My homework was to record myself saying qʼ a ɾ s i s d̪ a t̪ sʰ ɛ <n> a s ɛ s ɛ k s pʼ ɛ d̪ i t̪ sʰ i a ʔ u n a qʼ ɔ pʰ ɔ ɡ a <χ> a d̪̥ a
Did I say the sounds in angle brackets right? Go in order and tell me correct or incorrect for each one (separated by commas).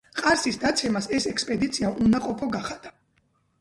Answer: incorrect, correct